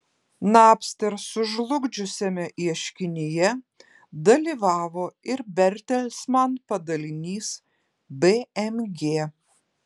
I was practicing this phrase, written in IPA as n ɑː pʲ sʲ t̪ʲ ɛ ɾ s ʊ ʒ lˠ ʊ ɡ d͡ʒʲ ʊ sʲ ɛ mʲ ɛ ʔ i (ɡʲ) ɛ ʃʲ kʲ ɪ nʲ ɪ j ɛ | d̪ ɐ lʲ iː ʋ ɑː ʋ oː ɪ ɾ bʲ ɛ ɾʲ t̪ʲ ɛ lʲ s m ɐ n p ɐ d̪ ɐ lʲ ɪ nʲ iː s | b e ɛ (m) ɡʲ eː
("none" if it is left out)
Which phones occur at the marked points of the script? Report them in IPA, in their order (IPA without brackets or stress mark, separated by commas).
none, m